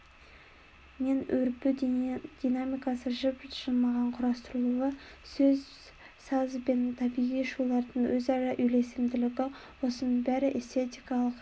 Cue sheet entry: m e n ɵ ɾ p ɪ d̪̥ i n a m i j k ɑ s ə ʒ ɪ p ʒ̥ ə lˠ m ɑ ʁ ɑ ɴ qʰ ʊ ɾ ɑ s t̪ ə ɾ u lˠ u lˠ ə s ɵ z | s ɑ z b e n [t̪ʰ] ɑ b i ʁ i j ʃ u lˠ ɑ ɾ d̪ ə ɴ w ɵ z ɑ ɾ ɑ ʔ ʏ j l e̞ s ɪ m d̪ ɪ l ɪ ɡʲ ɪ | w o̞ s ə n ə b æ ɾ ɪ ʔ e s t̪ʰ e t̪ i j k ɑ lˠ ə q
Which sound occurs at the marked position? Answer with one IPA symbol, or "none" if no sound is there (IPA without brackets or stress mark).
t̪ʰ